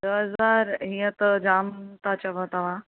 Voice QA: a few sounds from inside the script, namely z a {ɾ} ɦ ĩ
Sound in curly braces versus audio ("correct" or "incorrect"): correct